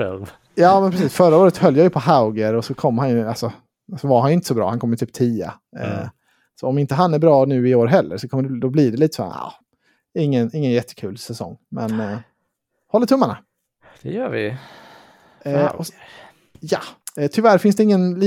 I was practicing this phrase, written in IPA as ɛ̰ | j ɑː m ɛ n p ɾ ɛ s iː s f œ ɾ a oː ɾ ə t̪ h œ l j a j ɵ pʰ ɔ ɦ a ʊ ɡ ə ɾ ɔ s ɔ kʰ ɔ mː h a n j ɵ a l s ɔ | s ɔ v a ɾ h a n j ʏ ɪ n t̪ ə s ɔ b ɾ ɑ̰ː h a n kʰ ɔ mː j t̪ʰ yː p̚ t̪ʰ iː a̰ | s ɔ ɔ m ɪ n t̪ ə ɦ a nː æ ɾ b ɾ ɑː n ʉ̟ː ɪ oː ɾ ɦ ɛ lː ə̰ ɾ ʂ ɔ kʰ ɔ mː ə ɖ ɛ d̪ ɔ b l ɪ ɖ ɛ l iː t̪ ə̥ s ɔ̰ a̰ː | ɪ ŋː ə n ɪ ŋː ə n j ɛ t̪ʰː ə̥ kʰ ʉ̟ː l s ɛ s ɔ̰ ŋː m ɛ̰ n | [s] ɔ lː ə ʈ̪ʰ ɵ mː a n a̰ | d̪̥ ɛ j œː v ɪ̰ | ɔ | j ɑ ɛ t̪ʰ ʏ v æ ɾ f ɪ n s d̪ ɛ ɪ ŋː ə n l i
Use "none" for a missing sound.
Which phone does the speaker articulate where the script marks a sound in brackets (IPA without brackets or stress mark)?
h